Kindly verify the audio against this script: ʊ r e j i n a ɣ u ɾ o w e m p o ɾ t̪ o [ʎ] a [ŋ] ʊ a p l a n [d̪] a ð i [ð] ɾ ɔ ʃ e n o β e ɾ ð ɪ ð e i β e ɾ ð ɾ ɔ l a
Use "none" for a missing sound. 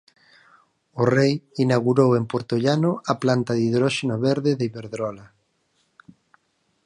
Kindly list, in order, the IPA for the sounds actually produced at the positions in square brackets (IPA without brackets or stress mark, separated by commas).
ʎ, n, t̪, ð